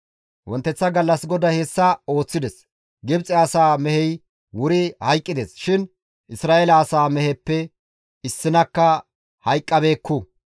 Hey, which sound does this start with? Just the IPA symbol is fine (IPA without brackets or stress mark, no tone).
w